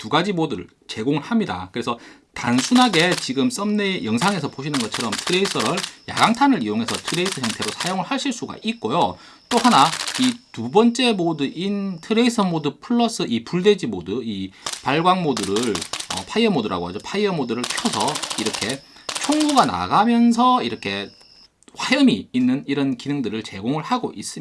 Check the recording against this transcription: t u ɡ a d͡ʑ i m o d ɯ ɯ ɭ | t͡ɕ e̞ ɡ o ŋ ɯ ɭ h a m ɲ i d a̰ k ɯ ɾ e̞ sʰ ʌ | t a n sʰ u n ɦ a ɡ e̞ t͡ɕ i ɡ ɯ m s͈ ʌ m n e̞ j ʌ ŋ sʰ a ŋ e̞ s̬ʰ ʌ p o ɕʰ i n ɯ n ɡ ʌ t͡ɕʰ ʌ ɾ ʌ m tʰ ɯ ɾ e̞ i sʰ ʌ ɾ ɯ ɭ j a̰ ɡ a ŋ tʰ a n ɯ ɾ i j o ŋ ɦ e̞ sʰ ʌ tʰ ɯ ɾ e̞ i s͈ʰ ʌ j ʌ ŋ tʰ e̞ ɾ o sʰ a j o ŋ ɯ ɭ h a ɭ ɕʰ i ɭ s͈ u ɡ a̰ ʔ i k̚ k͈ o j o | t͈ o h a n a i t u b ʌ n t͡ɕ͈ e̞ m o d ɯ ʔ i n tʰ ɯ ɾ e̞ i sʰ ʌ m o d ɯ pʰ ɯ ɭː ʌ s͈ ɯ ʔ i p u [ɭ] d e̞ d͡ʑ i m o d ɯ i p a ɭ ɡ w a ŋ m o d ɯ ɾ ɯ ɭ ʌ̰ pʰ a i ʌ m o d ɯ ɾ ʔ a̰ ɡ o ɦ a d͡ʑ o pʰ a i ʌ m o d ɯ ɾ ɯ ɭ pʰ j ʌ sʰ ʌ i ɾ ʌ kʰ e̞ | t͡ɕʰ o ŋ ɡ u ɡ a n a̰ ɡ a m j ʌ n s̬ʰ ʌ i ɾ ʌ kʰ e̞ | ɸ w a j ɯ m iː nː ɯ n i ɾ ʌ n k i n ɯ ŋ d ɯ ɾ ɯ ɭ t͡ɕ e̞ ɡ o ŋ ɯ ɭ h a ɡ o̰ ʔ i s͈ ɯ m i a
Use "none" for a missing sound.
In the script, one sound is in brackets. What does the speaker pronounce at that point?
ɭ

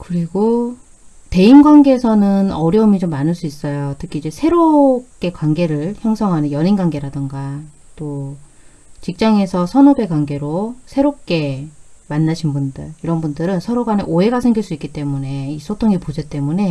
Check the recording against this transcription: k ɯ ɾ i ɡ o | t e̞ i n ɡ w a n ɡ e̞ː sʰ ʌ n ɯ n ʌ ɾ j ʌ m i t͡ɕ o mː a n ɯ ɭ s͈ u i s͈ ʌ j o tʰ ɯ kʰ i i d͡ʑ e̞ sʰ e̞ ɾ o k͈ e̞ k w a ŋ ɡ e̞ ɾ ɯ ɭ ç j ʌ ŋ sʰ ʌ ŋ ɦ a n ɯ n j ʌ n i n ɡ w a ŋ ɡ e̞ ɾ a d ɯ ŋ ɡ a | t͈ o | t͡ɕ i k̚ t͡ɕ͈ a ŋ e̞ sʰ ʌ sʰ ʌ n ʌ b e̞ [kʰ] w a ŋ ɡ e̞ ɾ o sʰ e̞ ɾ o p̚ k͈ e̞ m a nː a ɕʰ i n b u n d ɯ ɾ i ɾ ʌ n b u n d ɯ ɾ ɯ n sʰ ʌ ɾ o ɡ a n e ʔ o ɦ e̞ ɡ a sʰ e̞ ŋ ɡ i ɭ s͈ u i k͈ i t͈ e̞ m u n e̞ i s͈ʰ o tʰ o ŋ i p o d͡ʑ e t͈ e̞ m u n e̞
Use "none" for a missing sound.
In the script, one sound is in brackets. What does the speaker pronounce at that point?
k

